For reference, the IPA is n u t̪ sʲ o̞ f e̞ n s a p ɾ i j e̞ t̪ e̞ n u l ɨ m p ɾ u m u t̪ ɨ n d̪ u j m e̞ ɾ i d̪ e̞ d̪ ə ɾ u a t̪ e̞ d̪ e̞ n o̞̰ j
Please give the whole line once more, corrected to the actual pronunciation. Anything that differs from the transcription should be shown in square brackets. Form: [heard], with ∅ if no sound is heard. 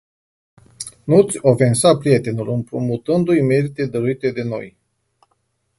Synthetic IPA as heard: n u t̪ sʲ o̞ f e̞ n s a p ɾ i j e̞ t̪ e̞ n u l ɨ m p ɾ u m u t̪ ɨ n d̪ u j m e̞ ɾ i [t̪] e̞ d̪ ə ɾ u [i] t̪ e̞ d̪ e̞ n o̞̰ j